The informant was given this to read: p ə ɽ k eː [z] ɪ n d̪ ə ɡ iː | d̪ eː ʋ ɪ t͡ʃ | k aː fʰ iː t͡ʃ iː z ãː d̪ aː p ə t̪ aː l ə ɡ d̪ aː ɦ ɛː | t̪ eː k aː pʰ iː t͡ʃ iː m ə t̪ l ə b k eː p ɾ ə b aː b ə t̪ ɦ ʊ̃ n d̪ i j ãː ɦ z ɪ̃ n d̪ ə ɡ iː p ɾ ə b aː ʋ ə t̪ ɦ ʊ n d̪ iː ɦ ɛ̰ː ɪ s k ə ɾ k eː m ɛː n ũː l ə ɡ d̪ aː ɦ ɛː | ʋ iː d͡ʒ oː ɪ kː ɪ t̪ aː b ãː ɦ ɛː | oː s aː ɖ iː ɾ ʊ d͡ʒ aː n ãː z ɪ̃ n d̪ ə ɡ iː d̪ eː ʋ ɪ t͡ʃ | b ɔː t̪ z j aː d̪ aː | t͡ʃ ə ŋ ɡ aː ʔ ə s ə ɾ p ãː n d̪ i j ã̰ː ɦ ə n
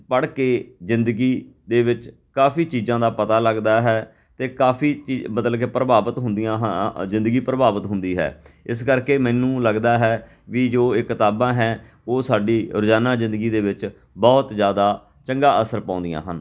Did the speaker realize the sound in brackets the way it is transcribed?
yes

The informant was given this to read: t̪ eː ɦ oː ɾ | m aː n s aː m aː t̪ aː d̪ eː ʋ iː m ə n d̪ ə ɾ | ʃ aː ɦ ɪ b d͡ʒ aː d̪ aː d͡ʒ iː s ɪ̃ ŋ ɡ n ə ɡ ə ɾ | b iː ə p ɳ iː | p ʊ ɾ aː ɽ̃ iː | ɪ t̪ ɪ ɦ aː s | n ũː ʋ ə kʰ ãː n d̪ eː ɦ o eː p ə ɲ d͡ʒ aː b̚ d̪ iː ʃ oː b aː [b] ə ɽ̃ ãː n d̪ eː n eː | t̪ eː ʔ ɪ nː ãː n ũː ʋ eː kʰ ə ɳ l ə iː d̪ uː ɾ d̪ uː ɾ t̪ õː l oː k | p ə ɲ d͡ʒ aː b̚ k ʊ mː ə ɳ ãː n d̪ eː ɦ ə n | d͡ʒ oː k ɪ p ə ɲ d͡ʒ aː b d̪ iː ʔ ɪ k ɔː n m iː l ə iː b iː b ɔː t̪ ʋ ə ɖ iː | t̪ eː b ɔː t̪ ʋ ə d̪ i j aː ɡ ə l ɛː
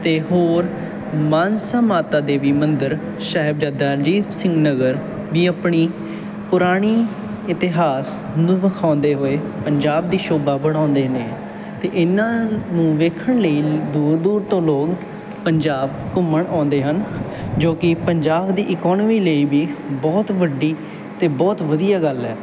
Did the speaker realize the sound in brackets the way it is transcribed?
yes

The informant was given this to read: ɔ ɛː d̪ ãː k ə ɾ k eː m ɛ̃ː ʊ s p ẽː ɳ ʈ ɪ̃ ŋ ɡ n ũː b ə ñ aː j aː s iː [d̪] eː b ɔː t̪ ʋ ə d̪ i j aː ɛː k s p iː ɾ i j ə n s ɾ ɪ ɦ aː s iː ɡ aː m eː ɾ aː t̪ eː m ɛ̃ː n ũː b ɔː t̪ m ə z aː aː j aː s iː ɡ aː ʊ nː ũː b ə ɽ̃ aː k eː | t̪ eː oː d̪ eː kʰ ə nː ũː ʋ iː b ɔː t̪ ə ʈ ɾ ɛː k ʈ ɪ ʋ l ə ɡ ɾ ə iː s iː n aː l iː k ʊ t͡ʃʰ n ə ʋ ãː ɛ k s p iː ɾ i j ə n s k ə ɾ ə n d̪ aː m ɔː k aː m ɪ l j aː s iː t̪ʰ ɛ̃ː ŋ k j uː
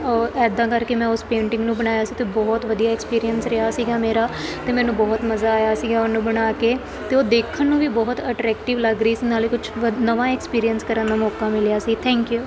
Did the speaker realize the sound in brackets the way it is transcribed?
no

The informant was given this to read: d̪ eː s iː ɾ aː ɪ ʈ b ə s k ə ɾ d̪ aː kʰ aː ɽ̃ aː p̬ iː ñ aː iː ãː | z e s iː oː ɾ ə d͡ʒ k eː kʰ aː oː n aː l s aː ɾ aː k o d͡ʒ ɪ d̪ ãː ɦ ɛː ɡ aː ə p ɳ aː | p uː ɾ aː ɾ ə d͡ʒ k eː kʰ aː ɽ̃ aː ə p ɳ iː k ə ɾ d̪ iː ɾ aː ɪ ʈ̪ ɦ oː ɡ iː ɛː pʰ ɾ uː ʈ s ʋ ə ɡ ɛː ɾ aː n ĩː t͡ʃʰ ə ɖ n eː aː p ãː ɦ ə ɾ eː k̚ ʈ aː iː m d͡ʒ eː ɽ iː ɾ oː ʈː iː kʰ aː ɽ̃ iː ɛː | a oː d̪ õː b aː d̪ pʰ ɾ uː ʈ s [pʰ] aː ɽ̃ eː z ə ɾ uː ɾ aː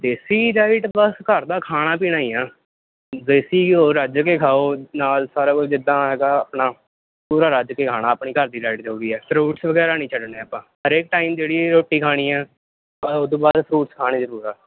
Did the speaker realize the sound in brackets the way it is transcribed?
no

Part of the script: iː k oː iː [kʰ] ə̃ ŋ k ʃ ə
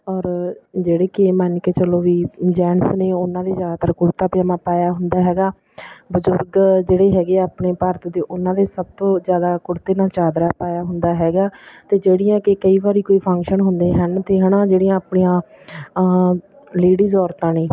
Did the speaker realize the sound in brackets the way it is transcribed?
no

